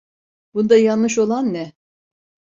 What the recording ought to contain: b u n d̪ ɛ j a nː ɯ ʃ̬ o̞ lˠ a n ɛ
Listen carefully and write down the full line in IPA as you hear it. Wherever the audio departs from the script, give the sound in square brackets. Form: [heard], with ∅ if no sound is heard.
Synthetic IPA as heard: b u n d̪ [a] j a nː ɯ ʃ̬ o̞ lˠ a [nː] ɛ